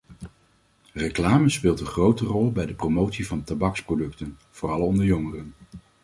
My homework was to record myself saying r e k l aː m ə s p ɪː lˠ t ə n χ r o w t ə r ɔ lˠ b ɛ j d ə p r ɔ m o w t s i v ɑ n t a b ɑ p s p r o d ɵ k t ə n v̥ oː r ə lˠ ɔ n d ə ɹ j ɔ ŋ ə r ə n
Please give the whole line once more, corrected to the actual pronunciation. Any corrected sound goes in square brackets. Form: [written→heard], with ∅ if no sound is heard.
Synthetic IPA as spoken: r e k l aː m ə s p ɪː lˠ t ə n χ r o w t ə r ɔ lˠ b ɛ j d ə p r [ɔ→o] m o w t s i v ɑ n t a b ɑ [p→k] s p r o d ɵ k t ə n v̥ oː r [ə→ɑ] lˠ ɔ n d ə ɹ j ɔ ŋ ə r ə n